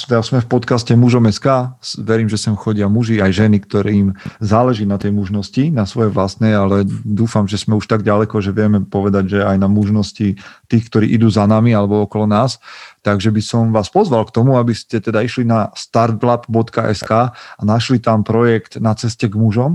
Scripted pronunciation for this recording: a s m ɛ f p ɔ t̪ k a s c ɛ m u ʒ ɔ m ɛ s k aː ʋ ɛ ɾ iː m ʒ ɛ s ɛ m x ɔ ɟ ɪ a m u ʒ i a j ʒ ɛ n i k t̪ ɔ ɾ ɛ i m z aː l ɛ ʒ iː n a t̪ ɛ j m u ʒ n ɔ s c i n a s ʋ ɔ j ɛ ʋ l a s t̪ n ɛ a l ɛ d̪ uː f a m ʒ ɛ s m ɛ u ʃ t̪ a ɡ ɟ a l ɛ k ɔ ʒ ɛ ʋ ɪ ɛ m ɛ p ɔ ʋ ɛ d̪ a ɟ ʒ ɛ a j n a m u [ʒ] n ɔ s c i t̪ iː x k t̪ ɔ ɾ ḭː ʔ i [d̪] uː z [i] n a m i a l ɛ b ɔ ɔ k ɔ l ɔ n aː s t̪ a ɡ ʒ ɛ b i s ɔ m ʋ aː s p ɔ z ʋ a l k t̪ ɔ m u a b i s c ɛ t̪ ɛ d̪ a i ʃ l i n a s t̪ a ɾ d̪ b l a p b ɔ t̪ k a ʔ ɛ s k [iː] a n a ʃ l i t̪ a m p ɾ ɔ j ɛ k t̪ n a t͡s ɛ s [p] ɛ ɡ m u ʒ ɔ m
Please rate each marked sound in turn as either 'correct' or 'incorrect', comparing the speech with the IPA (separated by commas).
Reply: correct, correct, incorrect, incorrect, incorrect